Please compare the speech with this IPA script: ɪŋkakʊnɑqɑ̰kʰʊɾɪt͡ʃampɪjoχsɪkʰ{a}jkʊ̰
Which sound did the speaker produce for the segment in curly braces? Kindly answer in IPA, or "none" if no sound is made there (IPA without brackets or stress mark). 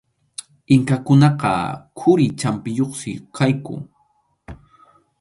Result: a